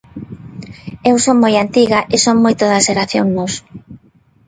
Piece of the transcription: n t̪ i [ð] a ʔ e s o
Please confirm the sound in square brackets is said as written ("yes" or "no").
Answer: no